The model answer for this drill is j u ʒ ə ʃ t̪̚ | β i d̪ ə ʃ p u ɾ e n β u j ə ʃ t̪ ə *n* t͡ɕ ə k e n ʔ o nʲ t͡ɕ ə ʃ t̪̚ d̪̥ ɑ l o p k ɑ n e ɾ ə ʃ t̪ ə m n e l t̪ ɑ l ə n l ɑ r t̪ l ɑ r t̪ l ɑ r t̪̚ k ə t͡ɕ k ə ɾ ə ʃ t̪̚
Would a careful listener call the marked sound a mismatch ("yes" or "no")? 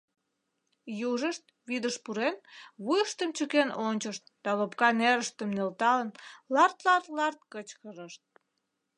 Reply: yes